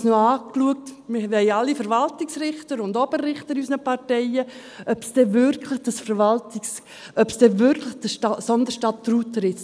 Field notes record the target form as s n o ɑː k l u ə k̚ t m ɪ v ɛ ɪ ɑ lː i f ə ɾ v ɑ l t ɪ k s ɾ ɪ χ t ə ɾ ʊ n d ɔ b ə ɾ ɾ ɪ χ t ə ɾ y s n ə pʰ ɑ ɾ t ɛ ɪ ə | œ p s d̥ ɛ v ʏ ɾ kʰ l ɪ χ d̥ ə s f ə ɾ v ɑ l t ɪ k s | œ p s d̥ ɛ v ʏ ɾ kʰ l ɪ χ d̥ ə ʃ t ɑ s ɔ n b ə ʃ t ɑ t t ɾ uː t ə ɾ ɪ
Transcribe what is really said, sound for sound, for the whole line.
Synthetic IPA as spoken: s n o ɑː k l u ə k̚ t m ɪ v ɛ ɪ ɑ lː i f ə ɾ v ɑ l t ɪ k s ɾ ɪ χ t ə ɾ ʊ n d ɔ b ə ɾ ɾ ɪ χ t ə ɾ y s n ə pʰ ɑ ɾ t ɛ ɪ ə | œ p s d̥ ɛ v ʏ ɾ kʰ l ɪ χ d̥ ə s f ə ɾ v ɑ l t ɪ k s | œ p s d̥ ɛ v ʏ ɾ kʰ l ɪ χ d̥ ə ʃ t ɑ s ɔ n d ə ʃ t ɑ t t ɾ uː t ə ɾ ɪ

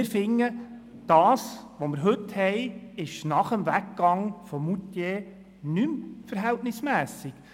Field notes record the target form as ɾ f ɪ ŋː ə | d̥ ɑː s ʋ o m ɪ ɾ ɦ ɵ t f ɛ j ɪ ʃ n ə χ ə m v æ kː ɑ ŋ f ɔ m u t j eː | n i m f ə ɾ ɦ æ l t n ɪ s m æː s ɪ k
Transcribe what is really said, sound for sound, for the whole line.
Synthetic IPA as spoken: ɾ f ɪ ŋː ə | d̥ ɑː s ʋ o m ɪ ɾ ɦ ɵ t h ɛ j ɪ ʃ n ɑ χ ə m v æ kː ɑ ŋ f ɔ m u t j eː | n y m f ə ɾ ɦ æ l t n ɪ s m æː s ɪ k

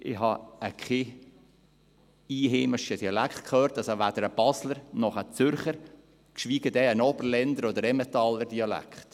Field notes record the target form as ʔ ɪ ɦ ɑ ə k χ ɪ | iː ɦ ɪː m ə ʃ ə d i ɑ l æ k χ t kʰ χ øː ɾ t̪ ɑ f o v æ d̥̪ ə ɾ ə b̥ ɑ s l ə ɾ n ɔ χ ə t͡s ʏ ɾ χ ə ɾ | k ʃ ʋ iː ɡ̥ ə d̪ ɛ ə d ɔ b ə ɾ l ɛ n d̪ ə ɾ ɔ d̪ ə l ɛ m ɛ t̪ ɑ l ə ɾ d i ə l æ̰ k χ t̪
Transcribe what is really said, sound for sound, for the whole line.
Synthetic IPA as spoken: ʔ ɪ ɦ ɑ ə k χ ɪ | iː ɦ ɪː m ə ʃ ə d i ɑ l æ k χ t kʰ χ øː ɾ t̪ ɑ s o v æ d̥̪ ə ɾ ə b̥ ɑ s l ə ɾ n ɔ χ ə t͡s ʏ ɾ χ ə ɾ | k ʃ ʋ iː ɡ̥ ə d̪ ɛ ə n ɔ b ə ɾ l ɛ n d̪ ə ɾ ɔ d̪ ə ɾ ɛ m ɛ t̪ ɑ l ə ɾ d i ɑ l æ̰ k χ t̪

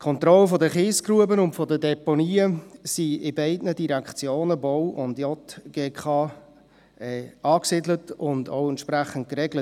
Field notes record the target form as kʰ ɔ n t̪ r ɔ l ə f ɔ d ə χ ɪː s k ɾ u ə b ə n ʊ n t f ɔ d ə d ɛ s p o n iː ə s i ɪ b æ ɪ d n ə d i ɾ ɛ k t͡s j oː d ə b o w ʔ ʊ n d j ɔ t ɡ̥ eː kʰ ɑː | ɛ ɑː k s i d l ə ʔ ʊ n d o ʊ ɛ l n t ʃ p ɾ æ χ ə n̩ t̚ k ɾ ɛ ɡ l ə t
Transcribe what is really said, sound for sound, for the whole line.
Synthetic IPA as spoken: kʰ ɔ n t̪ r ɔ l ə f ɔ d ə χ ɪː s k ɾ u ə b ə n ʊ n t f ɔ d ə d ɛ p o n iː ə s i ɪ b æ ɪ d n ə d i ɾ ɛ k t͡s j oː n ə b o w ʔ ʊ n d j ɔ t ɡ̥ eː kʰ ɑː | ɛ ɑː k s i d l ə t ʊ n d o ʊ ɛ n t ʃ p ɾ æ χ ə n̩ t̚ k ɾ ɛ ɡ l ə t

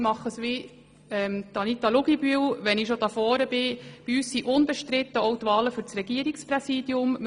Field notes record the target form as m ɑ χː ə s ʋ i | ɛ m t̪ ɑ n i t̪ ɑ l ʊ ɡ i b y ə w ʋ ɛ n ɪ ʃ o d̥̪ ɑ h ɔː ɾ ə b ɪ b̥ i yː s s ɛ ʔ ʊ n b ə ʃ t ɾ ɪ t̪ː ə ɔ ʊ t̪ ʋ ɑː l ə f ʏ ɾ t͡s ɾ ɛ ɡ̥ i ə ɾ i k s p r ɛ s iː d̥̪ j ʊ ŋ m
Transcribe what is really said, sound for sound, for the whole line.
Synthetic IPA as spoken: m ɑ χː ə s ʋ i | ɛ m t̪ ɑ n i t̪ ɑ l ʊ ɡ i b y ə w ʋ ɛ n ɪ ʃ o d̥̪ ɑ f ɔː ɾ ə b ɪ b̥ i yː s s i ʔ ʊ n b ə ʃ t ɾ ɪ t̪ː ə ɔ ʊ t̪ ʋ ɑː l ə f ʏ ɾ t͡s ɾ ɛ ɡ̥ i ə ɾ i k s p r ɛ s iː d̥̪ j ʊ m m

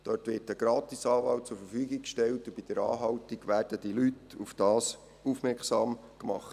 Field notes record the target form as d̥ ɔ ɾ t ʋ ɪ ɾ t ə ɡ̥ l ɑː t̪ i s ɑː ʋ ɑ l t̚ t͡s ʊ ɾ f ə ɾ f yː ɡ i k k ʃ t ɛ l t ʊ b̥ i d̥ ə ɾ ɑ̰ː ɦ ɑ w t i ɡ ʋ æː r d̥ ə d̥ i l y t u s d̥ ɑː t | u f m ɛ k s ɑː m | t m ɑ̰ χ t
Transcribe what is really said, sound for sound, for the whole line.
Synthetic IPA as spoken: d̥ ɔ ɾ t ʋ ɪ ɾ t ə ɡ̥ ɾ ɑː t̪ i s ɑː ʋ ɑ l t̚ t͡s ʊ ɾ f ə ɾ f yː ɡ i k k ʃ t ɛ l t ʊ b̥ i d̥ ə ɾ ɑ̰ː ɦ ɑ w t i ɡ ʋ æː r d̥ ə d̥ i l y t u f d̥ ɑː s | u f m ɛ k s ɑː m | k m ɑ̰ χ t

